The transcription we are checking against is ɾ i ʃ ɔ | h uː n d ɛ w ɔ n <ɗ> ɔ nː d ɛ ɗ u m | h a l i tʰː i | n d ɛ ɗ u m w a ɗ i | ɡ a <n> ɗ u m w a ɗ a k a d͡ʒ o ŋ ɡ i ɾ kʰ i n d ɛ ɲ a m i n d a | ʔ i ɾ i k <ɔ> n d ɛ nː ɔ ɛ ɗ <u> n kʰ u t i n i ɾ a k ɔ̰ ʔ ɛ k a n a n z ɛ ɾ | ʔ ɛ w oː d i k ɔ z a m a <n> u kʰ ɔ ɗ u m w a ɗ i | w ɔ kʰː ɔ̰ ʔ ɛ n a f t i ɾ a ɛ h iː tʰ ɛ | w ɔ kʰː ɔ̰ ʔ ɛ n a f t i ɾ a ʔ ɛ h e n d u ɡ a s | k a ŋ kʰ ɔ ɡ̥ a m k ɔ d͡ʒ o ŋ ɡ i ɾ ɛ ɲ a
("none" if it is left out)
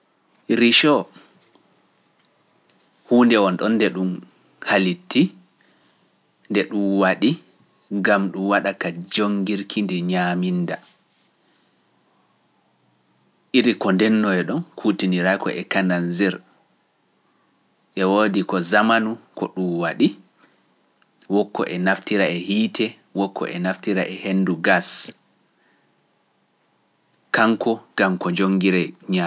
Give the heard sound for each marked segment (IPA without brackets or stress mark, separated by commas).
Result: ɗ, m, ɔ, ɔ, n